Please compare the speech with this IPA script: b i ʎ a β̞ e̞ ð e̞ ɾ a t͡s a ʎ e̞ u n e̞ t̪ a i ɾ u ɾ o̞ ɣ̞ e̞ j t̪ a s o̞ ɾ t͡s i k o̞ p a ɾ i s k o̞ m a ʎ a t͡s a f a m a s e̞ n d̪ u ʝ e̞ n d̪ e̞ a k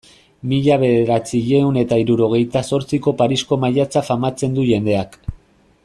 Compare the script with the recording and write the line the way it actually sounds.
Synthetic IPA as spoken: m i ʎ a β̞ e̞ ð e̞ ɾ a t͡s i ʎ e̞ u n e̞ t̪ a i ɾ u ɾ o̞ ɣ̞ e̞ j t̪ a s o̞ ɾ t͡s i k o̞ p a ɾ i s k o̞ m a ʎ a t͡s a f a m a t͡s e̞ n d̪ u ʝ e̞ n d̪ e̞ a k